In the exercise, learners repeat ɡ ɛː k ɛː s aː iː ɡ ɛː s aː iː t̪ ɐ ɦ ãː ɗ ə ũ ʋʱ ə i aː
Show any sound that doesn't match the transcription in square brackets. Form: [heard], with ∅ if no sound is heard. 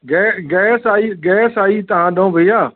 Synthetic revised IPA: ɡ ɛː [ɡ] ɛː s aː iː ɡ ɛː s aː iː t̪ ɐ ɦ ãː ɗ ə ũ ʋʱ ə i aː